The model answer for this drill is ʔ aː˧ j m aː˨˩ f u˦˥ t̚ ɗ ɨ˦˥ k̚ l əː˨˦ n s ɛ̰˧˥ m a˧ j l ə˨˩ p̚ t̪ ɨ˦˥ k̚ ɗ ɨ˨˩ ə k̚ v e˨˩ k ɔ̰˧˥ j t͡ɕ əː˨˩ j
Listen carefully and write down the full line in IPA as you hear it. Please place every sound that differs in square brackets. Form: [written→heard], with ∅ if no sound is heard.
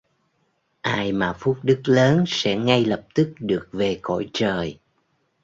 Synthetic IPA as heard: ʔ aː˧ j m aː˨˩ f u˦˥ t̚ ɗ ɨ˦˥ k̚ l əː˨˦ n s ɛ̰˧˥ [m→ŋ] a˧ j l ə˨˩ p̚ t̪ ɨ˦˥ k̚ ɗ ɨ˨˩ ə k̚ v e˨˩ k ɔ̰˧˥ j t͡ɕ əː˨˩ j

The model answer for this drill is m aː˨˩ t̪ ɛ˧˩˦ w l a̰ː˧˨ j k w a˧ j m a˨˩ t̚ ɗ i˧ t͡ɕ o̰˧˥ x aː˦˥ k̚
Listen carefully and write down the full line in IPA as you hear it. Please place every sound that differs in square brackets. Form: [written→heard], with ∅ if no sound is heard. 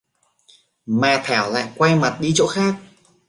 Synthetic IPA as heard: m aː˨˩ [t̪→t̪ʰ] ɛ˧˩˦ w l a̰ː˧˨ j k w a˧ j m a˨˩ t̚ ɗ i˧ t͡ɕ o̰˧˥ x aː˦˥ k̚

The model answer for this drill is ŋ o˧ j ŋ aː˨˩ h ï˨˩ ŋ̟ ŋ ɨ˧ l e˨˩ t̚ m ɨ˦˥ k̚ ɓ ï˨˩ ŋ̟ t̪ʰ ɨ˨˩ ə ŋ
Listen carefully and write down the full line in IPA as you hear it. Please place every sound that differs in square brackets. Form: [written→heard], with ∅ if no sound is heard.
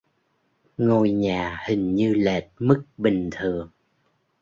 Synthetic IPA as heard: ŋ o˧ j [ŋ→ɲ] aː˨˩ h ï˨˩ ŋ̟ [ŋ→ɲ] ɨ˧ l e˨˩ t̚ m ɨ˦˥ k̚ ɓ ï˨˩ ŋ̟ t̪ʰ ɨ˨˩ ə ŋ

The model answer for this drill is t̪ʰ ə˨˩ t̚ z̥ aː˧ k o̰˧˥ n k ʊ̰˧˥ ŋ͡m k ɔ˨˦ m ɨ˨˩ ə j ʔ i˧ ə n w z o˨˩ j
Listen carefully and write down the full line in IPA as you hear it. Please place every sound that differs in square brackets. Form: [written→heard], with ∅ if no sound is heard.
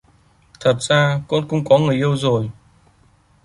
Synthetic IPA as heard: t̪ʰ ə˨˩ t̚ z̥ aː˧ k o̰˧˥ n k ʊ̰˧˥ ŋ͡m k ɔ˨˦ [m→ŋ] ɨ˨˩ ə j ʔ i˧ ə [n→∅] w z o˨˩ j

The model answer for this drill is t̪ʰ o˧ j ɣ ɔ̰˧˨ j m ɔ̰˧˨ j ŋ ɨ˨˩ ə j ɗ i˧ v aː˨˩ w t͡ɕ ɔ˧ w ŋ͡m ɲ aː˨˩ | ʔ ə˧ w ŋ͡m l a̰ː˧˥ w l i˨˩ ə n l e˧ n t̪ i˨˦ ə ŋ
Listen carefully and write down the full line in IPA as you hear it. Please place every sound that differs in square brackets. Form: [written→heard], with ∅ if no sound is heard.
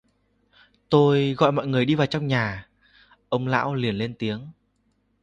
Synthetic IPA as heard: [t̪ʰ→t̪] o˧ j ɣ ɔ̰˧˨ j m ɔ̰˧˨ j ŋ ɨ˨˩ ə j ɗ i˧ v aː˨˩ w t͡ɕ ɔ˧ w ŋ͡m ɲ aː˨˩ | ʔ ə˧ w ŋ͡m l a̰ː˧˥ w l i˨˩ ə n l e˧ n t̪ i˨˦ ə ŋ

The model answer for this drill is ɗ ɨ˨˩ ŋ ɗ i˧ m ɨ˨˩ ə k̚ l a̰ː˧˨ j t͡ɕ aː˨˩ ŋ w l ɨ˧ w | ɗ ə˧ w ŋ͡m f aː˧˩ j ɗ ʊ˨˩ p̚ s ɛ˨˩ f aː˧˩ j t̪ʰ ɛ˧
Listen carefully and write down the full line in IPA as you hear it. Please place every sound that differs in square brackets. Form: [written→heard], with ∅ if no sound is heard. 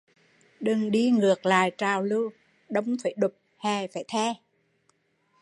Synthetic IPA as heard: ɗ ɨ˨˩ ŋ ɗ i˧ [m→ŋ] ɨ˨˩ ə k̚ l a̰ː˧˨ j t͡ɕ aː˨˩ [ŋ→∅] w l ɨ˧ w | ɗ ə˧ w ŋ͡m f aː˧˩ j ɗ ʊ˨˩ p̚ [s→h] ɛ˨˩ f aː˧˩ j t̪ʰ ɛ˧

